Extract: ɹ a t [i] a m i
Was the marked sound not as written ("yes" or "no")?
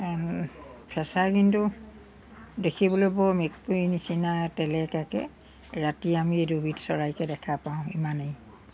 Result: no